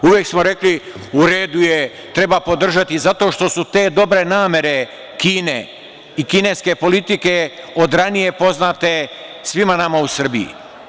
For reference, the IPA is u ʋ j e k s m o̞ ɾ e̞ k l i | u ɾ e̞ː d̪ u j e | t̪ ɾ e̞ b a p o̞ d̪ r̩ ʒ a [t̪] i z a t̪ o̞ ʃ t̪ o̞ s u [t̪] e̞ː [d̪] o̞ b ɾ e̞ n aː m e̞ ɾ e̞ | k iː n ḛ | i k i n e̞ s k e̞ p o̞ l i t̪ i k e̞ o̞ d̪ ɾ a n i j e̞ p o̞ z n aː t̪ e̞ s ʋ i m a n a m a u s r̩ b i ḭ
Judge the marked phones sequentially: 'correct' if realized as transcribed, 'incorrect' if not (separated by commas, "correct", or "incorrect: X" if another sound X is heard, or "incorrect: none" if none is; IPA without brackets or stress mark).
correct, correct, correct